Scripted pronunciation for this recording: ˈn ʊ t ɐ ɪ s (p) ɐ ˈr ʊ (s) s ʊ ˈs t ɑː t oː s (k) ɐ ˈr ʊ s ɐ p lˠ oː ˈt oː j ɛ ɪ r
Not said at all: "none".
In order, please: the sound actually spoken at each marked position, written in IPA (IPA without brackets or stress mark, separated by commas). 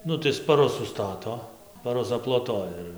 p, s, p